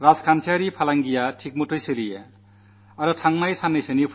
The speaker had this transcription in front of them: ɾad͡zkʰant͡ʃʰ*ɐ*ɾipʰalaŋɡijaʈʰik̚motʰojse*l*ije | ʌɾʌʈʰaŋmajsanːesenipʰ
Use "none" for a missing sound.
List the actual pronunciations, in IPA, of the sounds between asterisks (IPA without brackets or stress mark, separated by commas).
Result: a, l